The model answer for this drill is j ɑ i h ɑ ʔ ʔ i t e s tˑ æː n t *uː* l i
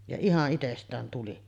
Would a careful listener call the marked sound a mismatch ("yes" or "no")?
yes